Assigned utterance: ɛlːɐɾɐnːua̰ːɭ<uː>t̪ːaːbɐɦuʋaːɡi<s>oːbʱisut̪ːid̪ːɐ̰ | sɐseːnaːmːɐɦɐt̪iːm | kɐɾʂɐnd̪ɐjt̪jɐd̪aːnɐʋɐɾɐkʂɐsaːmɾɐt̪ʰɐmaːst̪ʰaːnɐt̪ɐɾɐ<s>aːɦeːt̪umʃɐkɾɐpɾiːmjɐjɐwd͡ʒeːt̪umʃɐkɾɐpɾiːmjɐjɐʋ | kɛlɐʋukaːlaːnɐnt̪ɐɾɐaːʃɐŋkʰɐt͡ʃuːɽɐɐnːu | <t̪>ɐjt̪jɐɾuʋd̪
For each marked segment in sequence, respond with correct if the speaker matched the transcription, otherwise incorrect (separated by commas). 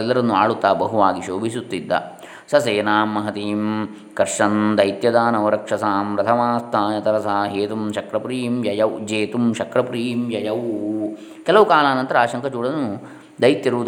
incorrect, incorrect, correct, incorrect